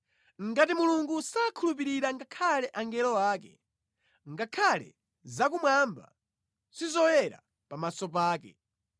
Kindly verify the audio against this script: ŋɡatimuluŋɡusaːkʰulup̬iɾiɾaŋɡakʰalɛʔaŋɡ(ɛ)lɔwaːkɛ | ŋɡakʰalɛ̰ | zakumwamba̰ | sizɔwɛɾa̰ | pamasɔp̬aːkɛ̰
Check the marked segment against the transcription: correct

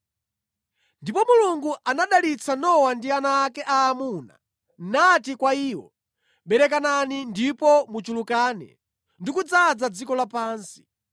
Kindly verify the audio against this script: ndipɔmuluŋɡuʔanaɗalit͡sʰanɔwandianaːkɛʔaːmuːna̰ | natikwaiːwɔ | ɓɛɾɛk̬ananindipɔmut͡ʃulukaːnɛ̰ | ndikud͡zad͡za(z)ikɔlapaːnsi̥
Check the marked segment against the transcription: incorrect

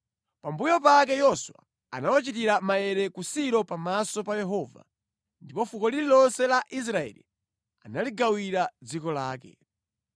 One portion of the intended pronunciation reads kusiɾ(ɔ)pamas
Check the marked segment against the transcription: correct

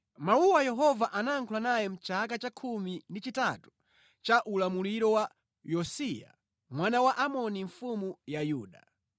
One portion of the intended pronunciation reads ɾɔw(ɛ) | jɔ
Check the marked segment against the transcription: incorrect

